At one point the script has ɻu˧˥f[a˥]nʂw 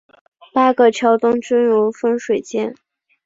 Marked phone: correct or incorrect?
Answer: incorrect